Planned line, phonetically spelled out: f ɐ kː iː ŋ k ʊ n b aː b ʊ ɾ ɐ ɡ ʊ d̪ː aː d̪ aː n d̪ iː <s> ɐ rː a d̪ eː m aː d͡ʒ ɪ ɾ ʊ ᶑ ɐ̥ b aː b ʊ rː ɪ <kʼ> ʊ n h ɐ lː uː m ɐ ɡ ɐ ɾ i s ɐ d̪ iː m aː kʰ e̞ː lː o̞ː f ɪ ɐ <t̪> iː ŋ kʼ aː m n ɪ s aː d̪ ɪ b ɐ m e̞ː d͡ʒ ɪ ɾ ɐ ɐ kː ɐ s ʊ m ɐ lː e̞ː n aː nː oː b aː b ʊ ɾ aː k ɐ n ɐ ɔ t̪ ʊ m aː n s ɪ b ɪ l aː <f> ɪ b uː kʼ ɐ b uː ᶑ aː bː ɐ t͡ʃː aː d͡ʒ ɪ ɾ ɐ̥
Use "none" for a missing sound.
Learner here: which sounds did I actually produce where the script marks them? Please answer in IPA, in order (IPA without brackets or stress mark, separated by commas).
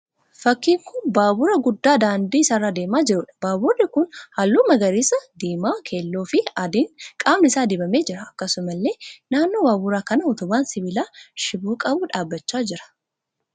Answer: s, k, d̪, ʃ